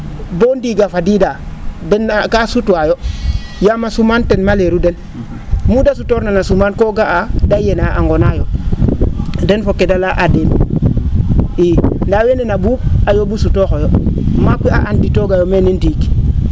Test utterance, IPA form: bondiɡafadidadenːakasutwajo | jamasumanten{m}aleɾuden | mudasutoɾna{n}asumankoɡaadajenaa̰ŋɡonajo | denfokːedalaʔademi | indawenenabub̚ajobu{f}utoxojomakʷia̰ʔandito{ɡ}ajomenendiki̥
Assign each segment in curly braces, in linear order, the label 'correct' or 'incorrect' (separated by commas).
correct, correct, incorrect, correct